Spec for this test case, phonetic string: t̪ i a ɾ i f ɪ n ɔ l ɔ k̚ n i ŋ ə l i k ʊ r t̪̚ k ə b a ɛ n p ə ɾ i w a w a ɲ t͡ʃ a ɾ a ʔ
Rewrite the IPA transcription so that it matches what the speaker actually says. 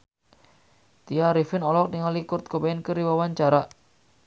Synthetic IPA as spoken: t̪ i a ɾ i f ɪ n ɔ l ɔ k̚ n i ŋ a l i k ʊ r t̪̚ k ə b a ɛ n k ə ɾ i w a w a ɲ t͡ʃ a ɾ a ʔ